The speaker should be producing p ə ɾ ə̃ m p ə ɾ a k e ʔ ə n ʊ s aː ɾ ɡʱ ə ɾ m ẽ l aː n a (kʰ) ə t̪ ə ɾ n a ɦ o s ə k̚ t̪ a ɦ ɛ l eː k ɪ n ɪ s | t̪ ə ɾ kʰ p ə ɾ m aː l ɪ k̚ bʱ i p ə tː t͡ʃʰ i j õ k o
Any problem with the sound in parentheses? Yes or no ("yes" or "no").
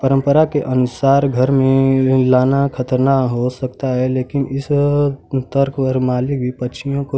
no